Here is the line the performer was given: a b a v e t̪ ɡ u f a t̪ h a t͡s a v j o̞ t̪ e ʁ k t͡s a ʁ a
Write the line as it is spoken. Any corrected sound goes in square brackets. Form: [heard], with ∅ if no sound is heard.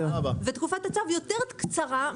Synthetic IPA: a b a v e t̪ [k] u f a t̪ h a t͡s a v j o̞ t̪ e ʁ k t͡s a ʁ a